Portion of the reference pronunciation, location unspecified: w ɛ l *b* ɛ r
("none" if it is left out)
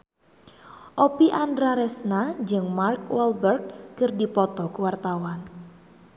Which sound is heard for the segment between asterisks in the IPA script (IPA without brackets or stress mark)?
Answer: b